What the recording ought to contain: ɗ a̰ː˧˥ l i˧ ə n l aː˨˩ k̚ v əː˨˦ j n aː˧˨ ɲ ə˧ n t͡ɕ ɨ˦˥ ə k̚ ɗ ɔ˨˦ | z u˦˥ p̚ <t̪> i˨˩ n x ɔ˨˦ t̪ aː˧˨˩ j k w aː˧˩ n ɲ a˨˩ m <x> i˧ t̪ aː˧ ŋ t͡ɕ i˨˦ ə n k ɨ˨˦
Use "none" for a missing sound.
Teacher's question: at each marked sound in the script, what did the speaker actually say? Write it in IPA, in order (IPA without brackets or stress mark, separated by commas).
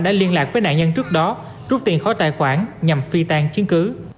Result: t̪, f